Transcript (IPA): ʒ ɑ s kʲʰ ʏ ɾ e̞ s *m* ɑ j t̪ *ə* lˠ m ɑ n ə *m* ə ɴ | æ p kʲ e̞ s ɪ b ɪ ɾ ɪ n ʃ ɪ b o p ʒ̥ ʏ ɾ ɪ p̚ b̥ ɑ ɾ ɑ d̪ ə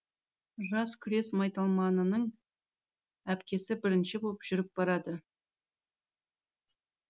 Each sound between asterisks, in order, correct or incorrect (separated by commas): correct, incorrect, incorrect